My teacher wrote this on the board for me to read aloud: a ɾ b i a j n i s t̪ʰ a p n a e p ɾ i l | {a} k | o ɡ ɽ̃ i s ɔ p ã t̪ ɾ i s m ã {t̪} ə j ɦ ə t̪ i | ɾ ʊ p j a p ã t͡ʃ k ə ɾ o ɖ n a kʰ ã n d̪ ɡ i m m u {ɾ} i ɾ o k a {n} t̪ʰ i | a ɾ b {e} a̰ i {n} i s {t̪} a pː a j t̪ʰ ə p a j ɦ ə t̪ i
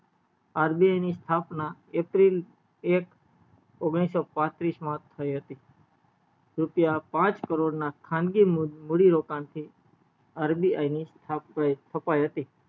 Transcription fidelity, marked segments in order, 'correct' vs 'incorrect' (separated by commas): incorrect, incorrect, incorrect, correct, incorrect, correct, incorrect